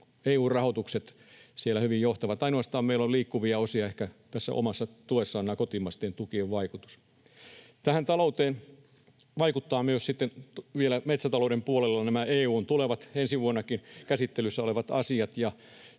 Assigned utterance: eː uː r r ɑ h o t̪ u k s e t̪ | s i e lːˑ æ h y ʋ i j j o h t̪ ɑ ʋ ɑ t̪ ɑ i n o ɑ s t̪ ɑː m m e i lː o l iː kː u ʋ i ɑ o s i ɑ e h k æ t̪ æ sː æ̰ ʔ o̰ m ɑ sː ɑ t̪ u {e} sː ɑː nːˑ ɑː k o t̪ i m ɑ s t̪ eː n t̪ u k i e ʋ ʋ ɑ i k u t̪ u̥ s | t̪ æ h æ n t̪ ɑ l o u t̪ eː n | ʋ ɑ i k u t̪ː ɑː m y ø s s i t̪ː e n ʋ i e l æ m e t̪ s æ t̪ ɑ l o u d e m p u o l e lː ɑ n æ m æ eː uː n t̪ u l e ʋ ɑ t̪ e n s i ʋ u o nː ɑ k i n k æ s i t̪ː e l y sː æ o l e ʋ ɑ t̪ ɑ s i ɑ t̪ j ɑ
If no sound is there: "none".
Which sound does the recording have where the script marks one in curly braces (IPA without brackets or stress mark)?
e